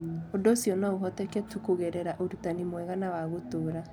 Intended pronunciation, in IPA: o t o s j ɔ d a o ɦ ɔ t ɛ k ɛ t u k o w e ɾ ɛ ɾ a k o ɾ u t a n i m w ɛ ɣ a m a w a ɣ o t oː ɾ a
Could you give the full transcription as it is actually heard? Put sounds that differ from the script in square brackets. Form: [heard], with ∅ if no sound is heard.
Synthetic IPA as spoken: o [d] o s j ɔ [n] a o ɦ ɔ t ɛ k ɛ t u k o [ɣ] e ɾ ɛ ɾ a [ʔ] o ɾ u t a n i m w ɛ ɣ a [n] a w a ɣ o t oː ɾ a